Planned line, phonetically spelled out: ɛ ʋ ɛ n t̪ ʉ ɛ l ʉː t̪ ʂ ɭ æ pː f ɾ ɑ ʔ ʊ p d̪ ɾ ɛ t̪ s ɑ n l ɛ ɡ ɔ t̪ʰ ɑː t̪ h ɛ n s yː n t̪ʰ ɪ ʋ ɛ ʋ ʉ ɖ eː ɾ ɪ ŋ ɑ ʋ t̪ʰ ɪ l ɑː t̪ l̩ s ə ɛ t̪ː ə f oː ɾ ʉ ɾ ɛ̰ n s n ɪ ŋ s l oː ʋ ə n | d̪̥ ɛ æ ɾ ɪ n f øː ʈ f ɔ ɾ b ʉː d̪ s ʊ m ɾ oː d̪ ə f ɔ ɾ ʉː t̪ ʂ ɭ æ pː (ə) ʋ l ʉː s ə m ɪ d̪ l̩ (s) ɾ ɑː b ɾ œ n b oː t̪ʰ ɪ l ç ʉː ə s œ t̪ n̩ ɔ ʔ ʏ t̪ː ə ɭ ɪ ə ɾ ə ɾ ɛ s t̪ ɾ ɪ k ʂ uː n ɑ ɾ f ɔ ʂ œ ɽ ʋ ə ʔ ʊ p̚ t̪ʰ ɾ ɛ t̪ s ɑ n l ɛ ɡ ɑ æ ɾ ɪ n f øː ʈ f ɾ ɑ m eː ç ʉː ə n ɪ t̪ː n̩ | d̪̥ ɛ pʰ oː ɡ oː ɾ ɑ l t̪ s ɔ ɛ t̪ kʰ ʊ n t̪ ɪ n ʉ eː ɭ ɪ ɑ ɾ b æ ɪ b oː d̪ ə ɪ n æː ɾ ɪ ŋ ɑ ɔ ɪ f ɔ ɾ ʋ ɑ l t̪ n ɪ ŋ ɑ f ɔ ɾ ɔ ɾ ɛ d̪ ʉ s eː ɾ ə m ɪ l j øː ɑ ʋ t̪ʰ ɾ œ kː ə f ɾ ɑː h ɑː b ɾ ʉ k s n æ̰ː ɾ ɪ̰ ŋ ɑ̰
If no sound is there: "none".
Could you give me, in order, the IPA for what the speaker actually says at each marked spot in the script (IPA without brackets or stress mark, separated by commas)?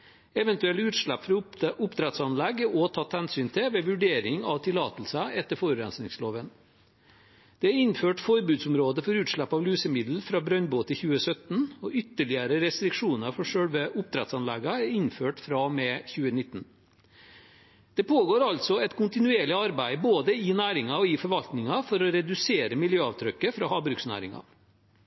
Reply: ɑ, f